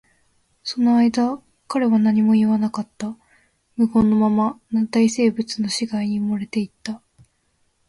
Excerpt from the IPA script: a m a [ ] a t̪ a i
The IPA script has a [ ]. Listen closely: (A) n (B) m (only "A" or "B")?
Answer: A